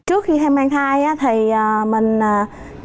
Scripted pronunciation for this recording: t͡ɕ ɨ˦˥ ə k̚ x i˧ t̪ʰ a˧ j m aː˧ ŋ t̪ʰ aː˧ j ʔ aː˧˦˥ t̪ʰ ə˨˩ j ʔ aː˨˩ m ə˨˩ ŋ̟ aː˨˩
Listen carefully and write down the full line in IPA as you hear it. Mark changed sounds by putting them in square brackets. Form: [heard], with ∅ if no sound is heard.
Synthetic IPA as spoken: t͡ɕ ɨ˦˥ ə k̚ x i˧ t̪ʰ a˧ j m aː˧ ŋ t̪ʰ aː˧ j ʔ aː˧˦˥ t̪ʰ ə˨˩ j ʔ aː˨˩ m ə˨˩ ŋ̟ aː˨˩

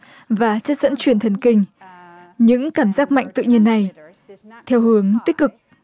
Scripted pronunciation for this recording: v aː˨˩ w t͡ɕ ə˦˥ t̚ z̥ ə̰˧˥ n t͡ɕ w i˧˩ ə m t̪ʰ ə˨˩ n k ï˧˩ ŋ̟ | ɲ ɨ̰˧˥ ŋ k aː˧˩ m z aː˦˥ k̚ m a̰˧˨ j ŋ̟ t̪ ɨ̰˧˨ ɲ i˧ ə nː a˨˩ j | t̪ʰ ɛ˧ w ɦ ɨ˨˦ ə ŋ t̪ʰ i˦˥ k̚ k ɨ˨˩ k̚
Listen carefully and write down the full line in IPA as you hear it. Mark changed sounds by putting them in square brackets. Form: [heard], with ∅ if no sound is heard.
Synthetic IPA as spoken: v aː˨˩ [∅] t͡ɕ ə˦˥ t̚ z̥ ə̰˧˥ n t͡ɕ w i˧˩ ə [n] t̪ʰ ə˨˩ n k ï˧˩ ŋ̟ | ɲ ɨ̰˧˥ ŋ k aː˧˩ m z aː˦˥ k̚ m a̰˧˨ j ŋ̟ t̪ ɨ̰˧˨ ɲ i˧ ə nː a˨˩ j | t̪ʰ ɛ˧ w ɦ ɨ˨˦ ə ŋ [t̪] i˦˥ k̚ k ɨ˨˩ k̚

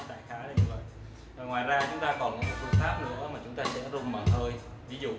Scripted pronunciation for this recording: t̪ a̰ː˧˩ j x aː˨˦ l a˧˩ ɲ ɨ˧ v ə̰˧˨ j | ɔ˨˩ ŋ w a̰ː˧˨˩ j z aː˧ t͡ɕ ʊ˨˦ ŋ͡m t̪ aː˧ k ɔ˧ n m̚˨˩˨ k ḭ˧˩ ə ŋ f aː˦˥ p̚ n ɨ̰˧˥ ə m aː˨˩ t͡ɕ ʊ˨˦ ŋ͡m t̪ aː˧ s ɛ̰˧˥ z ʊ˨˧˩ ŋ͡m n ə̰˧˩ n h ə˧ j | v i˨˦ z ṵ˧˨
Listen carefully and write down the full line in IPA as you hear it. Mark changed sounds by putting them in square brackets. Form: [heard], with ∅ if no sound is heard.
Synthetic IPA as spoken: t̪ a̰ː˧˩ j x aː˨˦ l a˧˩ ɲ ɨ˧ v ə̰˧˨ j | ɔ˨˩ ŋ w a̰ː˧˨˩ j z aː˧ t͡ɕ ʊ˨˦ ŋ͡m t̪ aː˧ k [ɔ˨˩] n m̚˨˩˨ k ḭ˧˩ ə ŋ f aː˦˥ p̚ n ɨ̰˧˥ ə m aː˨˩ t͡ɕ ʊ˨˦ ŋ͡m t̪ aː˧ s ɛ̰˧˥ z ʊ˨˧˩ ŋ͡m [m] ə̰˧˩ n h [əː˧] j | v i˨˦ z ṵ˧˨

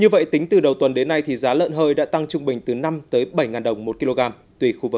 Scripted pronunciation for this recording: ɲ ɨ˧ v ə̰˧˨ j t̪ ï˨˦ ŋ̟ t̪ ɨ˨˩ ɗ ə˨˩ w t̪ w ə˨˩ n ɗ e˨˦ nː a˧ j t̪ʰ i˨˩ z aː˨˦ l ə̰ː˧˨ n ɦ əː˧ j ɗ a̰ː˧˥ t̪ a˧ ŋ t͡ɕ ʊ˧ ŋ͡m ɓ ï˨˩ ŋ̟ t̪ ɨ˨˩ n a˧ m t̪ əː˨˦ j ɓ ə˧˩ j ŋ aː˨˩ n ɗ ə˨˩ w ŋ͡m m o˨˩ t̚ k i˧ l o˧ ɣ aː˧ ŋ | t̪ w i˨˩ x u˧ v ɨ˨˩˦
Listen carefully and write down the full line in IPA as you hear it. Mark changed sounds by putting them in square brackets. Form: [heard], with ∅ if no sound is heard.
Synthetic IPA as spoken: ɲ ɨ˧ v ə̰˧˨ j t̪ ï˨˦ ŋ̟ t̪ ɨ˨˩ ɗ ə˨˩ w t̪ w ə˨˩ n ɗ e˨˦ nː a˧ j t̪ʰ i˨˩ z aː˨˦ l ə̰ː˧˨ n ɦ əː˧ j ɗ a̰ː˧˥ t̪ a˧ ŋ t͡ɕ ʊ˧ ŋ͡m ɓ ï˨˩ ŋ̟ t̪ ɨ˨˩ n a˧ m t̪ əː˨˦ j ɓ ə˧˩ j ŋ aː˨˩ n ɗ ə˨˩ w ŋ͡m m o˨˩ t̚ k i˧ l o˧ ɣ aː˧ [m] | t̪ w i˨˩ x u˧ v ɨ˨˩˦

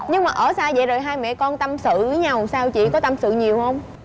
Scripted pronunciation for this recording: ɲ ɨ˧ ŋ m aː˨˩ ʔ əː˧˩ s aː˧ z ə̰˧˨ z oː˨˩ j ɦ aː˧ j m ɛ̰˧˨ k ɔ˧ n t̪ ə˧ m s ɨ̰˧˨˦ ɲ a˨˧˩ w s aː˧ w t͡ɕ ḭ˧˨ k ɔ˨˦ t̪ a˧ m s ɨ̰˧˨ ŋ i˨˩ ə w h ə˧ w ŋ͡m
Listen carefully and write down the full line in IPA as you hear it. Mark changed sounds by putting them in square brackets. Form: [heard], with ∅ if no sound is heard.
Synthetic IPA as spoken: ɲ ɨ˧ ŋ m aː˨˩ ʔ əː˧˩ s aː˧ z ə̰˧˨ z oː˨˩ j ɦ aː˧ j m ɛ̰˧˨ k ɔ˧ n t̪ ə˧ m s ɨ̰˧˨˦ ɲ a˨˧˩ w s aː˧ w t͡ɕ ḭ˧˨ k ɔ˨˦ t̪ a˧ m s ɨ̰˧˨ [ɲ] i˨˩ ə w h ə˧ w ŋ͡m

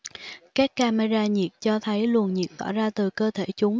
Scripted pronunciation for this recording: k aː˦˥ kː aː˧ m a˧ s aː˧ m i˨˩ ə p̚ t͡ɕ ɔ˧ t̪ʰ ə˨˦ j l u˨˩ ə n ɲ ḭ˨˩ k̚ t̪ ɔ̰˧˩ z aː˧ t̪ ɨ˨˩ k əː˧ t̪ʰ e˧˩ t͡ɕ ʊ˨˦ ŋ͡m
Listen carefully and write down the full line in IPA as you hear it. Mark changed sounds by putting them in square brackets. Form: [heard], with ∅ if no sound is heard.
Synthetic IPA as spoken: k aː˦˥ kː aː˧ m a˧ [z] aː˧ [ɲ] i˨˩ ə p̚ t͡ɕ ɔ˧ t̪ʰ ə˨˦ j l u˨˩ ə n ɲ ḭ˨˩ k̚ t̪ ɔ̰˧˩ z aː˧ t̪ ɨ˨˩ k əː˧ t̪ʰ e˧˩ t͡ɕ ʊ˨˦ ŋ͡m

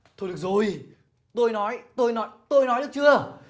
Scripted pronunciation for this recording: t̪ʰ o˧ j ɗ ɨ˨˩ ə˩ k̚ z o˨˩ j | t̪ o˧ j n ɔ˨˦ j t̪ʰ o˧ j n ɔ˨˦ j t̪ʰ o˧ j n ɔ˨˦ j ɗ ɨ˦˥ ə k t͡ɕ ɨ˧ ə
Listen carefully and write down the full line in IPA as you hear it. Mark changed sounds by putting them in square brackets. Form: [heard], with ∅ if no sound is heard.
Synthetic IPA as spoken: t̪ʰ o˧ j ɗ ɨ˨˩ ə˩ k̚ z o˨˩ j | t̪ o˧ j n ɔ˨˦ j [t̪] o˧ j n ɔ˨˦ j [t̪] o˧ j n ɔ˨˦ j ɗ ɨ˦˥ ə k t͡ɕ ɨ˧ ə

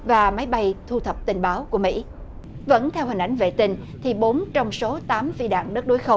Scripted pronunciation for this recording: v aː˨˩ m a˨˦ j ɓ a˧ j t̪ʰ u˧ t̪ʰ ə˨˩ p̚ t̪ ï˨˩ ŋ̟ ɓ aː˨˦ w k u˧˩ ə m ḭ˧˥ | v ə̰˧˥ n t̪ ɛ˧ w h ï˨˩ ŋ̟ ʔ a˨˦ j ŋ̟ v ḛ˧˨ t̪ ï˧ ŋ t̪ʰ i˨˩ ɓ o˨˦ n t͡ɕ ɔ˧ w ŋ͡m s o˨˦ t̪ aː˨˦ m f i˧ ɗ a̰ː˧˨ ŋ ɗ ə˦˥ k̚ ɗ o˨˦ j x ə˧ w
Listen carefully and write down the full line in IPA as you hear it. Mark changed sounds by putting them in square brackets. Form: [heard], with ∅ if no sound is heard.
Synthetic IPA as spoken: v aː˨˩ m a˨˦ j ɓ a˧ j t̪ʰ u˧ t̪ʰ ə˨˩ p̚ t̪ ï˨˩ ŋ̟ ɓ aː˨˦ w k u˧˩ ə m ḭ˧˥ | v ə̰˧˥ n [t̪ʰ] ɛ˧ w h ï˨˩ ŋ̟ ʔ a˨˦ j ŋ̟ v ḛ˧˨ t̪ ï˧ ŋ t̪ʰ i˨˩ ɓ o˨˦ n t͡ɕ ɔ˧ w ŋ͡m s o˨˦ t̪ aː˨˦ m f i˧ ɗ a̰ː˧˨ ŋ ɗ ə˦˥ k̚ ɗ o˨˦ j x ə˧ w

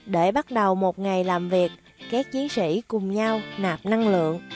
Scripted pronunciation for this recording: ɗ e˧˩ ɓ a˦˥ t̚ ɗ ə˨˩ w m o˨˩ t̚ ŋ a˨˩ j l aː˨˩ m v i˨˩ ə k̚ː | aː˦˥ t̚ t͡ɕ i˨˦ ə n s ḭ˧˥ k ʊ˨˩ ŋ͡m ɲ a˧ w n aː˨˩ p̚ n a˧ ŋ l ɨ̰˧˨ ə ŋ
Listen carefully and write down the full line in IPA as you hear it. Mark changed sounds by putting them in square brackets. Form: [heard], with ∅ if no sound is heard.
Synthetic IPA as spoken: ɗ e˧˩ ɓ a˦˥ t̚ ɗ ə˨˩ w m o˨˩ t̚ ŋ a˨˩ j l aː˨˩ m v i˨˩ ə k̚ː | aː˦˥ [k̚] t͡ɕ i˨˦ ə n s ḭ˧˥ k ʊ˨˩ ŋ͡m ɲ a˧ w n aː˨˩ p̚ n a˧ ŋ l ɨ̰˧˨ ə ŋ

